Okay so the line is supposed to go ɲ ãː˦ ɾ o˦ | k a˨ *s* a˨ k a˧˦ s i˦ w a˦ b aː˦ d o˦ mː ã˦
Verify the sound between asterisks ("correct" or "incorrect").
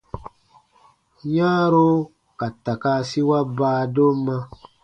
incorrect